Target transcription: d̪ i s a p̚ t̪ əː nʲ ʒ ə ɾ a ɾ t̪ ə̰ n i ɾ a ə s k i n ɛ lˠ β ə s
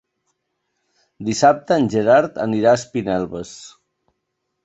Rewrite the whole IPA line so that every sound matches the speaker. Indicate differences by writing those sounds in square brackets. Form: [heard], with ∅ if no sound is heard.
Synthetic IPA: d̪ i s a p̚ t̪ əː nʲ ʒ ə ɾ a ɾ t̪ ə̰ n i ɾ a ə s [p] i n ɛ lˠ β ə s